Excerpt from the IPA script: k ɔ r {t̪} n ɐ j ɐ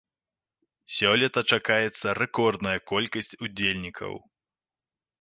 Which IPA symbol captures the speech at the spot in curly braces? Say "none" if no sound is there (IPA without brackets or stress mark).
d̪